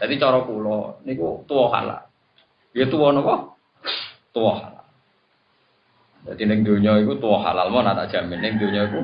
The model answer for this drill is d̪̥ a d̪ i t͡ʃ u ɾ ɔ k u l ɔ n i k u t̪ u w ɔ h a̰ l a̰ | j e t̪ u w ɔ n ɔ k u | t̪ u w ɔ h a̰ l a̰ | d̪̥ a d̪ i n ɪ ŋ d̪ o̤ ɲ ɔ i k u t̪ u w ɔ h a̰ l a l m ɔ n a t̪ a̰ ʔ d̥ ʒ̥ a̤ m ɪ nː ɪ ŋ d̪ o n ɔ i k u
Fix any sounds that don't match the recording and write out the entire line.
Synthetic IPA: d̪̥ a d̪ i t͡ʃ ɔ ɾ ɔ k u l ɔ n i k u t̪ u w ɔ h a̰ l a̰ | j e t̪ u w ɔ n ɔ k ɔ | t̪ u w ɔ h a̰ l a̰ | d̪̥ a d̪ i n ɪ ŋ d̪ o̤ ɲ ɔ i k u t̪ u w ɔ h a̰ l a l m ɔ n a t̪ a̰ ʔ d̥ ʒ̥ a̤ m ɪ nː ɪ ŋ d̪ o ɲ ɔ i k u